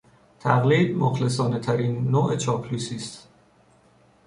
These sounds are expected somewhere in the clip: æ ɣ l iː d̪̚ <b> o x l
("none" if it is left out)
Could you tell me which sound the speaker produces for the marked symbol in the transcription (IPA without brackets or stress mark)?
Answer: m